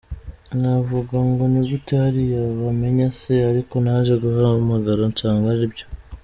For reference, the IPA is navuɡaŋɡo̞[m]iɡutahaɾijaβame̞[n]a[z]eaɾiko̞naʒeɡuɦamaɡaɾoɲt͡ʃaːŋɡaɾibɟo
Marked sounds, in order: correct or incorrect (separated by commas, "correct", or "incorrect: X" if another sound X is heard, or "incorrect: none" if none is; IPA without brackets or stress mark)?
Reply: incorrect: n, incorrect: ɲ, incorrect: s